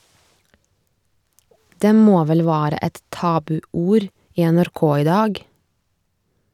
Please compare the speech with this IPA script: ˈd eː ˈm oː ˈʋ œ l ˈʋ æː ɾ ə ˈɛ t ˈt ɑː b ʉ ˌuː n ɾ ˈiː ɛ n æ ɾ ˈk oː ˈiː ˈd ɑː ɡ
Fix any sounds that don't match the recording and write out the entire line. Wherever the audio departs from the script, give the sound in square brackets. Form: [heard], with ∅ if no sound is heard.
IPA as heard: ˈd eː ˈm oː ˈʋ [ɛ] l ˈʋ æː ɾ ə ˈɛ t ˈt ɑː b ʉ ˌuː [∅] ɾ ˈiː ɛ n æ ɾ ˈk oː ˈiː ˈd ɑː ɡ